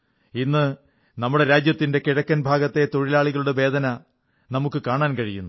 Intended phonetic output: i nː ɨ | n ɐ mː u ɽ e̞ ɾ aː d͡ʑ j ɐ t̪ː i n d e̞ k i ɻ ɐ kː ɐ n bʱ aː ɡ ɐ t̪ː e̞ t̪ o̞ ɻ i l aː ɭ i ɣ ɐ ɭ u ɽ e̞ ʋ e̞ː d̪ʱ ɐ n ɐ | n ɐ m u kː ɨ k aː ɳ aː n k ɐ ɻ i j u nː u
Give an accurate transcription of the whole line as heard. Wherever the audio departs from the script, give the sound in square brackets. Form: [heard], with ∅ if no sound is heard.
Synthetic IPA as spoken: i nː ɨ | n ɐ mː u ɽ e̞ ɾ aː d͡ʑ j ɐ t̪ː i n d e̞ k i ɻ ɐ kː ɐ n bʱ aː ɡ ɐ t̪ː e̞ t̪ o̞ ɻ i l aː ɭ i ɣ ɐ ɭ u ɽ e̞ ʋ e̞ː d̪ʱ ɐ n ɐ | n ɐ m u kː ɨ k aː ɳ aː n k ɐ ɻ i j u nː u